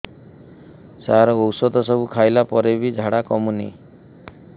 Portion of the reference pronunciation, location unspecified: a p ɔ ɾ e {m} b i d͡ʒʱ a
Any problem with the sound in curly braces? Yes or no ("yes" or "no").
yes